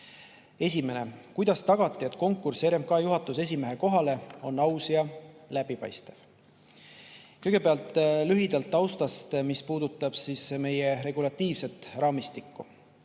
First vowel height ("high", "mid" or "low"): mid